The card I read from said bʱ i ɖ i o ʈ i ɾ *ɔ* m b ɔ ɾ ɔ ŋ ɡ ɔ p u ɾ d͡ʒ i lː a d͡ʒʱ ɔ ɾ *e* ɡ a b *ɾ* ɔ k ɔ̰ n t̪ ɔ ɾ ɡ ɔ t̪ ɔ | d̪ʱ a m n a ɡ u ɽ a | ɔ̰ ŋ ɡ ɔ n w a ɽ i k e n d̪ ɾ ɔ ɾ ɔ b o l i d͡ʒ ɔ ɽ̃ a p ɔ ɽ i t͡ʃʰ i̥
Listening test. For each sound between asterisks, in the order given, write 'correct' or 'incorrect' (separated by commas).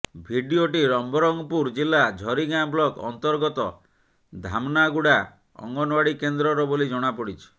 correct, incorrect, incorrect